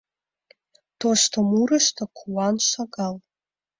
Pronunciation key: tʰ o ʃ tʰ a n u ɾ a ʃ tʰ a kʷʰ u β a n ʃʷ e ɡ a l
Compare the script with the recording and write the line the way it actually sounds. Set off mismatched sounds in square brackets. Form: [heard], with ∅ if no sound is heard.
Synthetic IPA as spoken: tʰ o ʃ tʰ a [m] u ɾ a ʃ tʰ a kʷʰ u [w] a n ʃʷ [a] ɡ a l